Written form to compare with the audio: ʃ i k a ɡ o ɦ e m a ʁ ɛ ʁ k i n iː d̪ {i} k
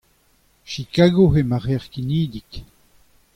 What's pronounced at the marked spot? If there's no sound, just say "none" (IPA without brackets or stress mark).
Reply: i